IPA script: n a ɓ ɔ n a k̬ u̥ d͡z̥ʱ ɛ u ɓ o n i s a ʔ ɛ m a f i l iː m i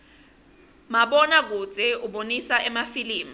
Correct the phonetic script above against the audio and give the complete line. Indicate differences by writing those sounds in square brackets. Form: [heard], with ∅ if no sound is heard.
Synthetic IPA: [m] a ɓ ɔ n a k̬ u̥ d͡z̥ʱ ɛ u ɓ o n i s a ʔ ɛ m a f i l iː m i